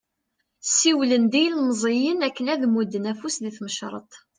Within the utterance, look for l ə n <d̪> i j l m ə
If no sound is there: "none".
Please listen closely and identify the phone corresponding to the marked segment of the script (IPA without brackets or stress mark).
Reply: d̪